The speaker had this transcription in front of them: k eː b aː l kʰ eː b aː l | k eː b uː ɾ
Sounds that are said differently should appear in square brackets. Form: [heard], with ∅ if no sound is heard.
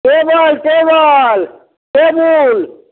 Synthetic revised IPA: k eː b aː l [k] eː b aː l | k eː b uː [l]